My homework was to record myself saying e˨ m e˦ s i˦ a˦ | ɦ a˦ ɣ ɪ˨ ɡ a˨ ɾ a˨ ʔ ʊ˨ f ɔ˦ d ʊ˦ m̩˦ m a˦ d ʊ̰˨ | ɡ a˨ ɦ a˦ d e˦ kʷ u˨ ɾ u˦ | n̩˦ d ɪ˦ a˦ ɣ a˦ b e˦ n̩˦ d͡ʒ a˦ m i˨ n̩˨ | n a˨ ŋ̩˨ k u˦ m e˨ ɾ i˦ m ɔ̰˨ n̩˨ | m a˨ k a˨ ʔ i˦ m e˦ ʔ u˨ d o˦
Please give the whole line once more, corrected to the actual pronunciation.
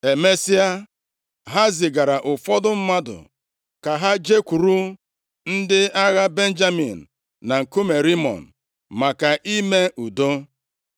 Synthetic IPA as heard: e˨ m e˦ s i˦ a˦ | ɦ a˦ z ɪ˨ ɡ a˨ ɾ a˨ ʔ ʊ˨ f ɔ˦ d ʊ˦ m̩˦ m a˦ d ʊ̰˨ | k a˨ ɦ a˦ d͡ʒ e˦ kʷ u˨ ɾ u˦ | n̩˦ d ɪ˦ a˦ ɣ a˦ b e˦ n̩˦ d͡ʒ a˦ m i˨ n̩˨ | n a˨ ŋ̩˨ k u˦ m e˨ ɾ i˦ m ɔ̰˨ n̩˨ | m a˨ k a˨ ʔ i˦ m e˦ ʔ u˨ d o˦